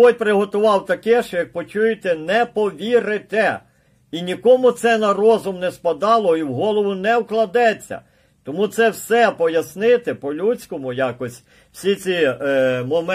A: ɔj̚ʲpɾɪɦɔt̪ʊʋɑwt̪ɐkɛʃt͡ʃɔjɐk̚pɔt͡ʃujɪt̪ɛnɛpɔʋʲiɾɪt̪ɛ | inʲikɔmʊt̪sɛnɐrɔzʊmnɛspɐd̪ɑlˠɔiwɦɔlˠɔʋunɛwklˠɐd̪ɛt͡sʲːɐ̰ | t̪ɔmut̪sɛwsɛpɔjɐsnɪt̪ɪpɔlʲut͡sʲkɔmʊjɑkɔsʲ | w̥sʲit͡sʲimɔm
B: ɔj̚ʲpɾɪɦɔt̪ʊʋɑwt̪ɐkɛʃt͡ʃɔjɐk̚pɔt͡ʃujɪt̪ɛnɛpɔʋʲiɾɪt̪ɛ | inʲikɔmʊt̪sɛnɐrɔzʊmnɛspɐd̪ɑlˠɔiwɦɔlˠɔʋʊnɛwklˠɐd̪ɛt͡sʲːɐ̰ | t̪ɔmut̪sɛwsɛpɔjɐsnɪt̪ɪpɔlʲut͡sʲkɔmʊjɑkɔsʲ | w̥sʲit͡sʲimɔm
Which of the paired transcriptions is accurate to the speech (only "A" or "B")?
B